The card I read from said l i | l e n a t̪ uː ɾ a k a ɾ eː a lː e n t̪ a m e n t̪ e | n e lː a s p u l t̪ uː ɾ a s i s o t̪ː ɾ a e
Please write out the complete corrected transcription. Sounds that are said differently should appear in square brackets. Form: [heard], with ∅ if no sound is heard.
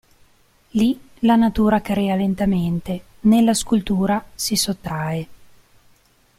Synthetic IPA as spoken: l i | l [a] n a t̪ uː ɾ a k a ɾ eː a [l] e n t̪ a m e n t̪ e | n e lː a s [k] u l t̪ uː ɾ a s i s o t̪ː ɾ a e